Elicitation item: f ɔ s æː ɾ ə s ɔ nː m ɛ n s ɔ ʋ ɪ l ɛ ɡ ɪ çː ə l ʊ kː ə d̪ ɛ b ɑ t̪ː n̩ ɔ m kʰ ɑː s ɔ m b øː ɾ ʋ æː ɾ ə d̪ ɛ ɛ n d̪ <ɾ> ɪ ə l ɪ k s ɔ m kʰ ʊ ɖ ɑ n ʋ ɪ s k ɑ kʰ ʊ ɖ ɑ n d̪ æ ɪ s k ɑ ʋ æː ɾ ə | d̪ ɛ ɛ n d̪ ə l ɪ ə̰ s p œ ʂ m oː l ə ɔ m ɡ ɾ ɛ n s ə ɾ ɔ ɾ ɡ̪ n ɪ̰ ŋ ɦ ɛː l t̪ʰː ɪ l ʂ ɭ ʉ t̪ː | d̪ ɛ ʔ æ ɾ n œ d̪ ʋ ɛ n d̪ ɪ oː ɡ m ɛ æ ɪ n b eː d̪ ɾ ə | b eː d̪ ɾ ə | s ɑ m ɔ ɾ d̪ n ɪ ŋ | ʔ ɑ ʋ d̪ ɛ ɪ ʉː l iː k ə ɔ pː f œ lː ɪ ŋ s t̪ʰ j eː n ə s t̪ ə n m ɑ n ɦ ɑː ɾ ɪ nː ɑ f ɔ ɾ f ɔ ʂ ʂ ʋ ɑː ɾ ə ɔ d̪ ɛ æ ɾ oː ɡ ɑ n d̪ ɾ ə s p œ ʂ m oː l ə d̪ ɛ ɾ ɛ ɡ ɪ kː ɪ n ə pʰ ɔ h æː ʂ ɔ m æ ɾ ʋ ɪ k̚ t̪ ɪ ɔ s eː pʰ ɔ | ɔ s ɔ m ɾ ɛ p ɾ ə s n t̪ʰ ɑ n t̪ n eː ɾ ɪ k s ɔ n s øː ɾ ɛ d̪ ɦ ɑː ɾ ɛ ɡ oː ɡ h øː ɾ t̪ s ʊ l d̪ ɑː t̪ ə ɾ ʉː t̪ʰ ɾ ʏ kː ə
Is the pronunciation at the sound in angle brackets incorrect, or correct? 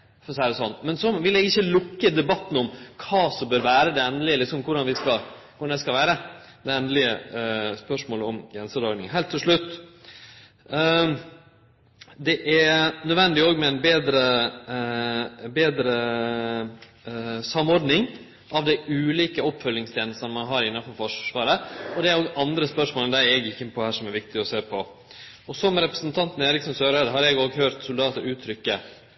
incorrect